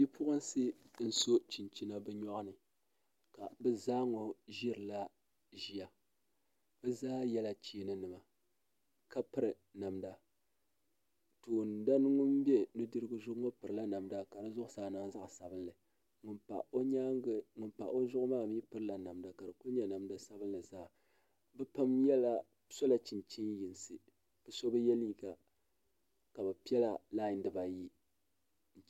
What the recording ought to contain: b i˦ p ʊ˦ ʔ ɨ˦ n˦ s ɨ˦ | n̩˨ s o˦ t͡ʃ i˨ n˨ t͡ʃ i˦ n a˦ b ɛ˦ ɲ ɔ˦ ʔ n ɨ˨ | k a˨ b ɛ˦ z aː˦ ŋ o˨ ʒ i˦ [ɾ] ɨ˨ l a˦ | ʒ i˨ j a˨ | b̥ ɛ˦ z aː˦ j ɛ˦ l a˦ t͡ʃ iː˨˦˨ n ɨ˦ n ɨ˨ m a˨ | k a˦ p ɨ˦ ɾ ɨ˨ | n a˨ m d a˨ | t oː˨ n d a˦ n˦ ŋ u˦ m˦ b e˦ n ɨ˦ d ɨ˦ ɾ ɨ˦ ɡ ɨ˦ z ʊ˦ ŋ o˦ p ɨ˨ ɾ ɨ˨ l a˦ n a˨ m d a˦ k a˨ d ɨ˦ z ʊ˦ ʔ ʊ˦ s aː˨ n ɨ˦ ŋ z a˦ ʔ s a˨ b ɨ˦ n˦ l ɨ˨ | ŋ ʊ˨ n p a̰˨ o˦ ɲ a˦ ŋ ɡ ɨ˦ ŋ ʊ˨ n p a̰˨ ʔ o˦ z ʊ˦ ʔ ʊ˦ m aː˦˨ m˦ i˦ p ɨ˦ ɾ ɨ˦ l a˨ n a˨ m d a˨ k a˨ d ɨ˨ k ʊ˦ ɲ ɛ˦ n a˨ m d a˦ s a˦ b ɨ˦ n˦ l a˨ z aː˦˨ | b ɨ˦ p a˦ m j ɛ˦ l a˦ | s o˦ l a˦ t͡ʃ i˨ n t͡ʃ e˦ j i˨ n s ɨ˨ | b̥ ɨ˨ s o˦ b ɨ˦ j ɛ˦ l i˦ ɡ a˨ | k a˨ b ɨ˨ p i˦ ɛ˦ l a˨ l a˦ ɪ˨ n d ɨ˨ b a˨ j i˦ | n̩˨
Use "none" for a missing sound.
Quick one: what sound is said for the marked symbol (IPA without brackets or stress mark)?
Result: ɾ